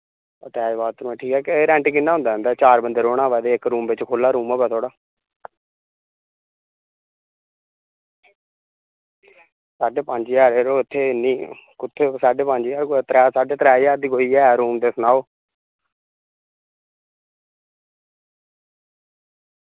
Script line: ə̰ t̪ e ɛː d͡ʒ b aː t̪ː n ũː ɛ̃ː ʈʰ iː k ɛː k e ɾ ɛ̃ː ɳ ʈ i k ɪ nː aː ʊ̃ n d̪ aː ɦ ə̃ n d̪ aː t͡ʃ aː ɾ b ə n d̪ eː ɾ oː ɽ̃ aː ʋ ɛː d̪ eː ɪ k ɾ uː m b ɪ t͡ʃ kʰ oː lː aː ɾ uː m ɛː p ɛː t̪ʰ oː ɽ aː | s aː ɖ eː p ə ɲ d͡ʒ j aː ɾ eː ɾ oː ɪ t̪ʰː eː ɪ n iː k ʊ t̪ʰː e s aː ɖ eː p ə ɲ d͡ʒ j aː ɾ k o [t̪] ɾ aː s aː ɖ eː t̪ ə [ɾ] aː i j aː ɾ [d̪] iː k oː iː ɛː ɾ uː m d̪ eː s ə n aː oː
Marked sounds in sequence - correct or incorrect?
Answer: correct, correct, correct

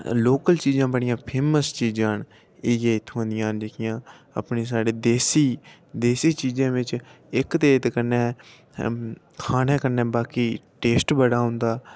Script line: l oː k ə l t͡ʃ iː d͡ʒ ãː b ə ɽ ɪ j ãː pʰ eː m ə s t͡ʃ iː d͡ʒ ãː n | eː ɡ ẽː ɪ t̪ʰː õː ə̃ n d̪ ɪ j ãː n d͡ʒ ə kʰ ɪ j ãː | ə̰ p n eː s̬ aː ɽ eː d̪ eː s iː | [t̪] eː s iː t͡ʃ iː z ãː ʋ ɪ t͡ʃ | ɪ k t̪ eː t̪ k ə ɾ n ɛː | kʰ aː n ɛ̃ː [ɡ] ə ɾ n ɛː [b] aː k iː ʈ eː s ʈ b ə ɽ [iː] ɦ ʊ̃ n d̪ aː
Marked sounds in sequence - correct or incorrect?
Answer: incorrect: d̪, incorrect: k, correct, incorrect: aː

